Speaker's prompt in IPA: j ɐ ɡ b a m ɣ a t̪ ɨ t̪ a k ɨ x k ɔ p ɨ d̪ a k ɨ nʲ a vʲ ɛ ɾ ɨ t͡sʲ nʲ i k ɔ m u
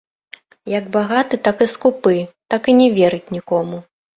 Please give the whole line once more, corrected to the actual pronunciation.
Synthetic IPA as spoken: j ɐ ɡ b a ɣ a t̪ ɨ t̪ a k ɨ s k u p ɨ t̪ a k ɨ nʲ ɛ vʲ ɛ ɾ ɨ t͡sʲ nʲ i k ɔ m u